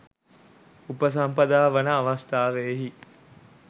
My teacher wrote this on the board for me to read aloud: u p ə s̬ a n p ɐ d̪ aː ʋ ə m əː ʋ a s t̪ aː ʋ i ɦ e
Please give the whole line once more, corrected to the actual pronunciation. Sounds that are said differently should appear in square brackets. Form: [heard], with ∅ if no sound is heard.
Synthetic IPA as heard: u p ə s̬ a [m] p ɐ d̪ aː ʋ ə [n] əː ʋ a s t̪ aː ʋ [e] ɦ [i]